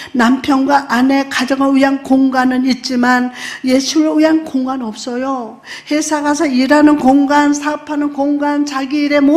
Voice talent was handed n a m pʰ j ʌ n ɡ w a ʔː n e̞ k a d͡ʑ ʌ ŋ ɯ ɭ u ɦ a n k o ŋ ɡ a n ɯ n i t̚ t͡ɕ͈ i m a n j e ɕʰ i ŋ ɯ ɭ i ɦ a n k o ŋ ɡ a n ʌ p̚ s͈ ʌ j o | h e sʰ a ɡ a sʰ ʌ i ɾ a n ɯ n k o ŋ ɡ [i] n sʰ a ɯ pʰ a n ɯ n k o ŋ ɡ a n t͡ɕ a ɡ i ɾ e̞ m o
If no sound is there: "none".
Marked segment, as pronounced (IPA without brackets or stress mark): a